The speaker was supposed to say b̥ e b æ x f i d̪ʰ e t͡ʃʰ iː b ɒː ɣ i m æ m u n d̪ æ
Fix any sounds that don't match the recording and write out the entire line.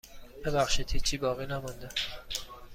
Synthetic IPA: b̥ e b æ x ʃ i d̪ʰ i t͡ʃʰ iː b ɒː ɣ i n æ m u n d̪ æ

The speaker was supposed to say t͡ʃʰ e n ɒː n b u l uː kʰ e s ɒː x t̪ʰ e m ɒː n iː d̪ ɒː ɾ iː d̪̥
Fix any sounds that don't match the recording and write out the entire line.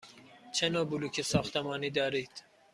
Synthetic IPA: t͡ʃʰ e n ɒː b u l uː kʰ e s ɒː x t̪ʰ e m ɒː n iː d̪ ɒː ɾ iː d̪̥

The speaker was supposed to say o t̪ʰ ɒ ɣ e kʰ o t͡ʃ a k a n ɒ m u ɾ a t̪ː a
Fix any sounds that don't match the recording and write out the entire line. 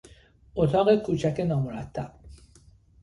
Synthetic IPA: o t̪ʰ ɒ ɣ e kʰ u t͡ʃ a k e n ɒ m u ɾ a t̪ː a

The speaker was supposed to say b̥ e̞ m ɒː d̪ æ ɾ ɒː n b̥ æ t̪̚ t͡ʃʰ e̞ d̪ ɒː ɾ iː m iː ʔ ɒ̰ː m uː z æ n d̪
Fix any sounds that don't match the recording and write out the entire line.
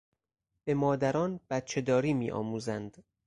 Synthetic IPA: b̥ e̞ m ɒː d̪ æ ɾ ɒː n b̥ æ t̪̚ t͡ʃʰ e̞ d̪ ɒː ɾ iː m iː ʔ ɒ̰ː m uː z æ n d̪

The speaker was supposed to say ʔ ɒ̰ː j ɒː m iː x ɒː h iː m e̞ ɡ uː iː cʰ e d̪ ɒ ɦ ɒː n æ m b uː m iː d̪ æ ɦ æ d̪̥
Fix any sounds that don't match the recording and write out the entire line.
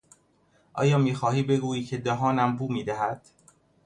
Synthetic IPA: ʔ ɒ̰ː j ɒː m iː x ɒː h iː b e̞ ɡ uː iː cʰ e d̪ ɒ ɦ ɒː n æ m b uː m iː d̪ æ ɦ æ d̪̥

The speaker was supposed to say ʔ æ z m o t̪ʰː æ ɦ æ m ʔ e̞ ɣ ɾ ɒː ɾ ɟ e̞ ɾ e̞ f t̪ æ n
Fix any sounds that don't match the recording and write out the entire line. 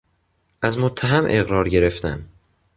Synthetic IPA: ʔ æ z m o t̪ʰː æ ɦ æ m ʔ e̞ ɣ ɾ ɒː ɾ ɟ e̞ ɾ e̞ f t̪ æ m

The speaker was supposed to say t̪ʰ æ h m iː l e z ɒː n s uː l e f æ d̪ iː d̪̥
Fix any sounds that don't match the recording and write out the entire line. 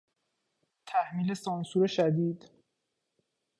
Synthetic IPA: t̪ʰ æ h m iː l e s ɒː n s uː ɾ e ʃ æ d̪ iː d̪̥

